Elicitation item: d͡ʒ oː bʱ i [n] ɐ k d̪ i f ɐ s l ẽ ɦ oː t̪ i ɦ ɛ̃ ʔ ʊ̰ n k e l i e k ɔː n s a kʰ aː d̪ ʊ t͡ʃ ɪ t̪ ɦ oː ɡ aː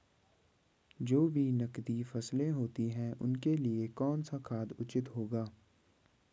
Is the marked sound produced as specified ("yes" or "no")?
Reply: yes